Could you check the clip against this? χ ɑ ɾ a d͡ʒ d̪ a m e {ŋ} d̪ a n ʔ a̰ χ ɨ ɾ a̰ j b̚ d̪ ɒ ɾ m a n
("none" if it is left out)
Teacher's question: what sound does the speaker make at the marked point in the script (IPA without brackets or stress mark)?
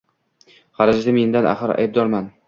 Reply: n